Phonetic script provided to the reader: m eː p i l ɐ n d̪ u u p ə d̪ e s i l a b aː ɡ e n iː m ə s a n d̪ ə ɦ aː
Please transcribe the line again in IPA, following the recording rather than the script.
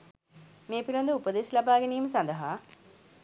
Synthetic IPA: m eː p i l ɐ n d̪ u u p ə d̪ e s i l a b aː ɡ e n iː m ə s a n d̪ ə ɦ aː